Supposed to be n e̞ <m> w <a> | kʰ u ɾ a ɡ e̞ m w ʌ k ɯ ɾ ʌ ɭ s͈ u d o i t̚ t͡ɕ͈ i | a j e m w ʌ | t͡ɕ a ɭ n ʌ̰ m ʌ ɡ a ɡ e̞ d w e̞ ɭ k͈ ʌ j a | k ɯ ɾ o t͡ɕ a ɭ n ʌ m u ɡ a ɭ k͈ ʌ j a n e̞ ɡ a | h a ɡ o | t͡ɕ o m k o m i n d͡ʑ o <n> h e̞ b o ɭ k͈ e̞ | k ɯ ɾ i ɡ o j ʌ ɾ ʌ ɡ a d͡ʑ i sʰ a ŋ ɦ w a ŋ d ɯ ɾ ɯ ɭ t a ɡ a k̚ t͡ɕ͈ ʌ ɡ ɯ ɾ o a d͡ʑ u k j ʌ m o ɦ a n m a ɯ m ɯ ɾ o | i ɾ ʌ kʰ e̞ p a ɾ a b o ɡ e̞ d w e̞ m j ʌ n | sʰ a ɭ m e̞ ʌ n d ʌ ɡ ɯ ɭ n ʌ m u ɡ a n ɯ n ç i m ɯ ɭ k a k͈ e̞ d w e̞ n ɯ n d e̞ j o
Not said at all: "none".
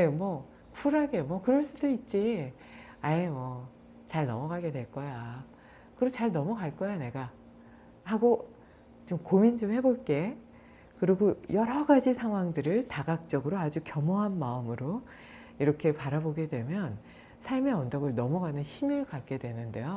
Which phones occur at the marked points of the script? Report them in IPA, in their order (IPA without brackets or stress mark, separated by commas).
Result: m, ʌ, m